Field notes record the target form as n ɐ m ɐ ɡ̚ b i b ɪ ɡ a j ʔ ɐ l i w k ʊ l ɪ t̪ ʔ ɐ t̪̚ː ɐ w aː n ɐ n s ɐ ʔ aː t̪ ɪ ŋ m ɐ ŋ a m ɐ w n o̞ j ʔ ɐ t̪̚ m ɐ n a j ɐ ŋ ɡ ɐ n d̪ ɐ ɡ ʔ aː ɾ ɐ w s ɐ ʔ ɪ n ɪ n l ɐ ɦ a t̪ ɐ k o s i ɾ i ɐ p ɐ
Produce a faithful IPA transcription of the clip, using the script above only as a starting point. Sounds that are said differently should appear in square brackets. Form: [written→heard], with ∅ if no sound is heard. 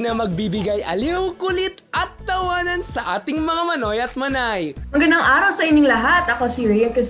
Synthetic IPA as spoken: n ɐ m ɐ ɡ̚ b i b ɪ ɡ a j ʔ ɐ l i w k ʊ l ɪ t̪ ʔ ɐ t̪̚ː ɐ w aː n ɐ n s ɐ ʔ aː t̪ ɪ ŋ m ɐ ŋ a m ɐ [w→∅] n o̞ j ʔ ɐ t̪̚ m ɐ n a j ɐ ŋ ɡ ɐ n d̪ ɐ [ɡ→ŋ] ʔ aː ɾ ɐ w s ɐ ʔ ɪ n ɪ [n→ŋ] l ɐ ɦ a t̪ ɐ k o s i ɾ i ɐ [p→k] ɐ